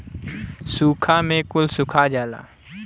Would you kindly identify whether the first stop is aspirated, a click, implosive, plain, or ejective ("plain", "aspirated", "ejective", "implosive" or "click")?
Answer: aspirated